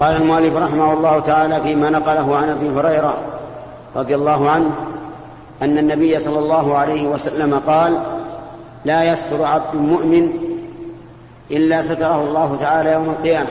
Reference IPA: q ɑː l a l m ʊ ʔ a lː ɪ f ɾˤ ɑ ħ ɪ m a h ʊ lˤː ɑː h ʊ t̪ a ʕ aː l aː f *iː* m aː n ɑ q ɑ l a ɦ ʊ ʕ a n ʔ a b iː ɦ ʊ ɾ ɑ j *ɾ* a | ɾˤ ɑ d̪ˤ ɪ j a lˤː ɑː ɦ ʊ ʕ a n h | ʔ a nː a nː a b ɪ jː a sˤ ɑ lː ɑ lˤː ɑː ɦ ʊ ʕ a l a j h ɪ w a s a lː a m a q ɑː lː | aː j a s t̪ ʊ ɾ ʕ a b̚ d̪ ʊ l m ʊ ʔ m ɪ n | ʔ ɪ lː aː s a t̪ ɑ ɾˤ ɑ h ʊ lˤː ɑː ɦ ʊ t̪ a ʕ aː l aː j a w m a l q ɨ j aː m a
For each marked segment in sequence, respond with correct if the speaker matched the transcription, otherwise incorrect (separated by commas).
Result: correct, correct